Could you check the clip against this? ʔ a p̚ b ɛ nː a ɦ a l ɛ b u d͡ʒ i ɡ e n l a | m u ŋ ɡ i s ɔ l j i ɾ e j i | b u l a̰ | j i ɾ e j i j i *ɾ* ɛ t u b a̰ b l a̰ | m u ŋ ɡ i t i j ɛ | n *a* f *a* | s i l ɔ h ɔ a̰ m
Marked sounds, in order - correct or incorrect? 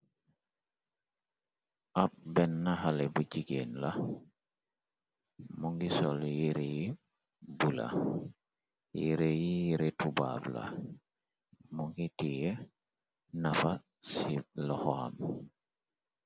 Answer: correct, correct, correct

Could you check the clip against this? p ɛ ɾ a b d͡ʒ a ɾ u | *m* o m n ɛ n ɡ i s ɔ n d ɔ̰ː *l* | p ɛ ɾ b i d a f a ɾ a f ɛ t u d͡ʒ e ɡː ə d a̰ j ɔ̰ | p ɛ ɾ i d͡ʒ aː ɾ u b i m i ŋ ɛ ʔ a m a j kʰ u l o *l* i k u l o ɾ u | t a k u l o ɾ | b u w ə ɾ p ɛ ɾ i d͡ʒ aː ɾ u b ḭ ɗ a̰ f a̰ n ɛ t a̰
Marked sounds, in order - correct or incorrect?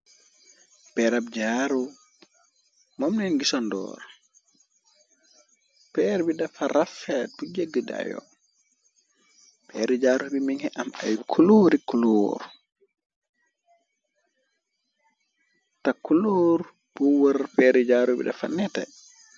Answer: correct, incorrect, incorrect

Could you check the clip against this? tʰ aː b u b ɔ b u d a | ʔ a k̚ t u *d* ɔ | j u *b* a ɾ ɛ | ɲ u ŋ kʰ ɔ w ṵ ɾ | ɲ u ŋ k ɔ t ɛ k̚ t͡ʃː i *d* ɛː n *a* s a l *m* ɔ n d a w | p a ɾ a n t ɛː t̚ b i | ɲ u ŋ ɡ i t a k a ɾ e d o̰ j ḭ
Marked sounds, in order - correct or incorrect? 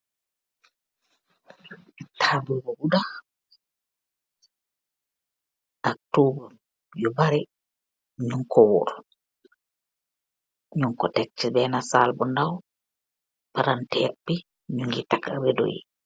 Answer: incorrect, correct, incorrect, correct, incorrect

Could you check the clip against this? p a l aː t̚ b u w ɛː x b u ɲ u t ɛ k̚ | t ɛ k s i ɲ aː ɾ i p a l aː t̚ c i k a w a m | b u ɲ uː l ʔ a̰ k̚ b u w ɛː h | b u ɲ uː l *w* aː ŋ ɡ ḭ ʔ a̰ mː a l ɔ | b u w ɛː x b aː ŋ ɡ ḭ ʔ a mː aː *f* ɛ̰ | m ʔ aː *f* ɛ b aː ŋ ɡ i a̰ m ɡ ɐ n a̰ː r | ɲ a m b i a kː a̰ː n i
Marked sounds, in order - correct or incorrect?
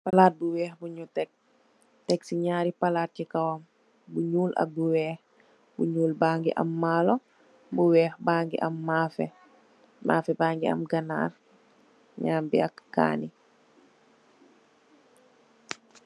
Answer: incorrect, correct, correct

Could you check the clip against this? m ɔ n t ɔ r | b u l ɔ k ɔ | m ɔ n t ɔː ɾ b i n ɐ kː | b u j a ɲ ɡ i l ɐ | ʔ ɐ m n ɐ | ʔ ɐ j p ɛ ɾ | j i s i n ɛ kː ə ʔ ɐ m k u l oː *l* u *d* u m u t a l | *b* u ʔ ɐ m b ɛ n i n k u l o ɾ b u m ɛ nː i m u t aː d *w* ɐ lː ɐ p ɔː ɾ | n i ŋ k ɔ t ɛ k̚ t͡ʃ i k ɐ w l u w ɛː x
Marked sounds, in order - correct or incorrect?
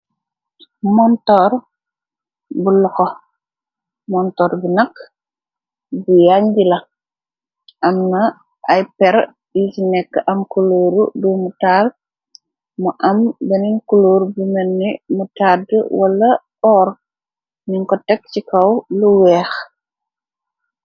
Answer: incorrect, correct, incorrect, correct

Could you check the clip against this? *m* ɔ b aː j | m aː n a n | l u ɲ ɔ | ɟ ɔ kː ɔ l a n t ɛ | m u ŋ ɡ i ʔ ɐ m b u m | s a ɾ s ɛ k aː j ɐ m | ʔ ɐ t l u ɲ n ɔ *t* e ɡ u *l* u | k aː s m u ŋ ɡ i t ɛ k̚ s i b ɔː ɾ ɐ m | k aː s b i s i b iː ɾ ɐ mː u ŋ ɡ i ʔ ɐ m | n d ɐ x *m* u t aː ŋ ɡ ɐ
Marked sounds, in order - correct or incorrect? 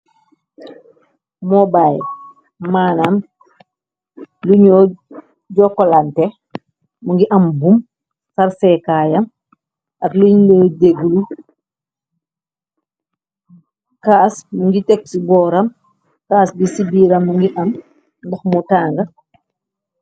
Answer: correct, incorrect, correct, correct

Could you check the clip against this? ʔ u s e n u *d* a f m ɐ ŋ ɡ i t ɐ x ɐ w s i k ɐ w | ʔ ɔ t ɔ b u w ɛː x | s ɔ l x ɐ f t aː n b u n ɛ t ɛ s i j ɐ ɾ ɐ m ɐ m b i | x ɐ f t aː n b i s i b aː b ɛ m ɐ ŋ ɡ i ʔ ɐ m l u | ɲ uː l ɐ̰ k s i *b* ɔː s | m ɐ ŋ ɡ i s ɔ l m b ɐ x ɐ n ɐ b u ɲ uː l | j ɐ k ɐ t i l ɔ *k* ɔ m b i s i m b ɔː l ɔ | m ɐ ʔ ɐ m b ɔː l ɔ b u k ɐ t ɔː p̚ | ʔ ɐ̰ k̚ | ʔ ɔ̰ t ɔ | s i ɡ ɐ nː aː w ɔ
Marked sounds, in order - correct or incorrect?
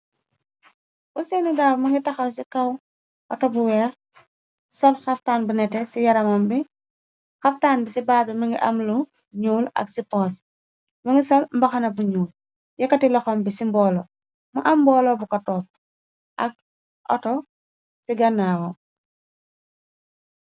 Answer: correct, incorrect, incorrect

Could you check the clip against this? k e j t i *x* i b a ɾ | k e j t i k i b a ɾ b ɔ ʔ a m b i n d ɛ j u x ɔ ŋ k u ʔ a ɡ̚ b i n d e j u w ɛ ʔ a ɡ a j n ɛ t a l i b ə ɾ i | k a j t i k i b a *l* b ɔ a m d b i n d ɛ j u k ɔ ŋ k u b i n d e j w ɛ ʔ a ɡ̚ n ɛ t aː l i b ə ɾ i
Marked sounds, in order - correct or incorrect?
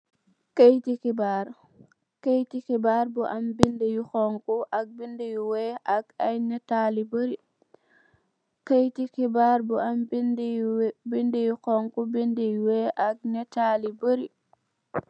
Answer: incorrect, incorrect

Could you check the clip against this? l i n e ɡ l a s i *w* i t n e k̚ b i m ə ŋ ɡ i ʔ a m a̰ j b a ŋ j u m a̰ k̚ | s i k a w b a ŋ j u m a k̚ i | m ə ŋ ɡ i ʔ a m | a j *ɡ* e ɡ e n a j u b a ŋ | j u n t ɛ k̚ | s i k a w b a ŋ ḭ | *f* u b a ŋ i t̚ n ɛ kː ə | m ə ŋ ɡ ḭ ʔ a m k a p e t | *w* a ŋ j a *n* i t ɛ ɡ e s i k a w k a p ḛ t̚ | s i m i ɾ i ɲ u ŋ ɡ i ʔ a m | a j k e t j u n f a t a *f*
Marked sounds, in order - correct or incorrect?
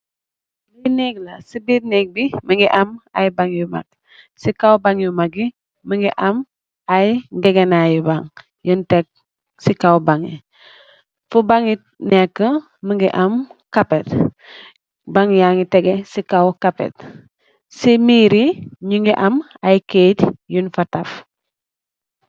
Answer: incorrect, correct, correct, incorrect, incorrect, correct

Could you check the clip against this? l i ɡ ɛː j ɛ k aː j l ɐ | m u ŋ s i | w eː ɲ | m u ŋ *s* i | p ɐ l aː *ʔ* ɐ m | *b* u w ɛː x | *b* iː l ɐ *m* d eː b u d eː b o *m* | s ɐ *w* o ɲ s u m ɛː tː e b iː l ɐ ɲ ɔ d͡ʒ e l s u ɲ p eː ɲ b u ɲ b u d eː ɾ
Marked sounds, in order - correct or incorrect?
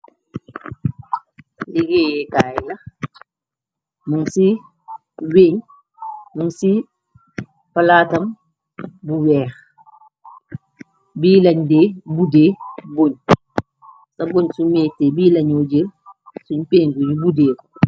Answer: correct, incorrect, correct, correct, incorrect, incorrect, incorrect

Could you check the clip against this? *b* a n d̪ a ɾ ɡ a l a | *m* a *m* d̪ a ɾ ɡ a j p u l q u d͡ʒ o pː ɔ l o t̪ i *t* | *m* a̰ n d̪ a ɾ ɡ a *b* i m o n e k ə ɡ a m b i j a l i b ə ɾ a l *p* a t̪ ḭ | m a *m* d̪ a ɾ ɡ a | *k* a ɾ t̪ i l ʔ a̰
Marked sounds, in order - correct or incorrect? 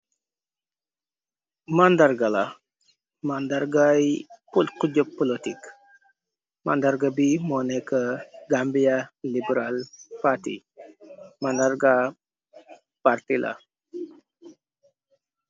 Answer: incorrect, correct, incorrect, incorrect, correct, correct, correct, incorrect, incorrect

